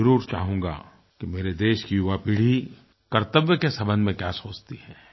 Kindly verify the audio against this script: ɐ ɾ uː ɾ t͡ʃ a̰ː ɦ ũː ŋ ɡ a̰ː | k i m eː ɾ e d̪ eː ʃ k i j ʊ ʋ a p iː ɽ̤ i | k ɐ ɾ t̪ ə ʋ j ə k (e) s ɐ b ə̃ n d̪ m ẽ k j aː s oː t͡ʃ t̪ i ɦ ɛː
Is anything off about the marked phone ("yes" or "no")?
no